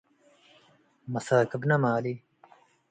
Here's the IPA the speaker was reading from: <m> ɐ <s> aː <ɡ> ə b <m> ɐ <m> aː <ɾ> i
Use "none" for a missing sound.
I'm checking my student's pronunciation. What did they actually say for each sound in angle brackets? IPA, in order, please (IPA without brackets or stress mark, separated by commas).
m, s, k, n, m, l